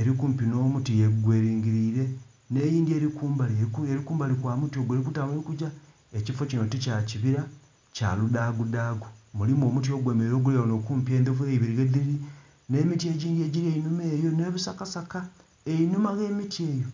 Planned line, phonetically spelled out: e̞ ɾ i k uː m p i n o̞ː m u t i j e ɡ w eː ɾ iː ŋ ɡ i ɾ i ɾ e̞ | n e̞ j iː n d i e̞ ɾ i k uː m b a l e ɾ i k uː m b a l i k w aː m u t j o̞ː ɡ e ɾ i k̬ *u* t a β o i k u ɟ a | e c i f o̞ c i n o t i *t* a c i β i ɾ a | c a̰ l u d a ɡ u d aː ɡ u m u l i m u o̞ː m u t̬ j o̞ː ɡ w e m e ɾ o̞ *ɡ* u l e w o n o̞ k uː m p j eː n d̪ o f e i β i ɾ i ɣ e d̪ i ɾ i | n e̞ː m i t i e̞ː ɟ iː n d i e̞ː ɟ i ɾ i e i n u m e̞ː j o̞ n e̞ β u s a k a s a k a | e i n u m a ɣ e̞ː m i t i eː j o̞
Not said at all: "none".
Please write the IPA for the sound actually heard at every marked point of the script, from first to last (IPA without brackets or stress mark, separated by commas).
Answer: u, c, ɡ